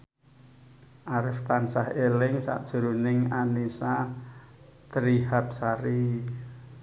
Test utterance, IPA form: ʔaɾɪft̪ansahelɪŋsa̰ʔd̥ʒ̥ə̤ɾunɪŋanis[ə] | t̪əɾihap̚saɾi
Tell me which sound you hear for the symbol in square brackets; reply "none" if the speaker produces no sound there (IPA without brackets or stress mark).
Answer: a